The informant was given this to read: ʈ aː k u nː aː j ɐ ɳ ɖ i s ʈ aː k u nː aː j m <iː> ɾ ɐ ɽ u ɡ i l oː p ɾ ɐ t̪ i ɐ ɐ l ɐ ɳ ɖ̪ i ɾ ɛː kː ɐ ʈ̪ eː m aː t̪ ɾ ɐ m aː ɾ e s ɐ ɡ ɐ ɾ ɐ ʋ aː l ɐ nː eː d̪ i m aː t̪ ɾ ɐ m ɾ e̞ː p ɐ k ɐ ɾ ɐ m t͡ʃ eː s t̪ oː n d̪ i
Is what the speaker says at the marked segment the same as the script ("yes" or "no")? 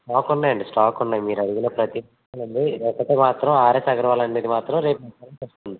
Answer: yes